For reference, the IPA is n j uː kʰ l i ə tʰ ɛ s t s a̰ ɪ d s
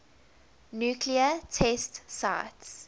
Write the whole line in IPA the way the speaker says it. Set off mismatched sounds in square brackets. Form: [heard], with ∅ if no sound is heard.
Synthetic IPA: n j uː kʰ l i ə tʰ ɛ s t s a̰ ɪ [t] s